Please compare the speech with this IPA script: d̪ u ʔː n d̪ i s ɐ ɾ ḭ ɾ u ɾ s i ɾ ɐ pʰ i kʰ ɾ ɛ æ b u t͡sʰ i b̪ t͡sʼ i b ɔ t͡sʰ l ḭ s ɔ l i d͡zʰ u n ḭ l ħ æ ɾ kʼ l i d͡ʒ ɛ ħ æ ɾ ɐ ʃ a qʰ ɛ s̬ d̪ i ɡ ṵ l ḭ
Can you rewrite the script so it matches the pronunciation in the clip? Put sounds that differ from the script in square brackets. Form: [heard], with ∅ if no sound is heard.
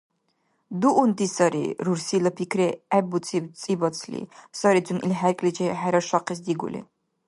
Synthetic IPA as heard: d̪ u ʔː n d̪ i s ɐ ɾ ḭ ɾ u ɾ s i [l] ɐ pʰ i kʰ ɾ ɛ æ b u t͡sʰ i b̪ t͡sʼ i b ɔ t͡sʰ l ḭ s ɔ [ɾ] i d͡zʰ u n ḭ l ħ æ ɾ kʼ l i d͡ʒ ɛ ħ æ ɾ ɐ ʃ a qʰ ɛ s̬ d̪ i ɡ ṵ l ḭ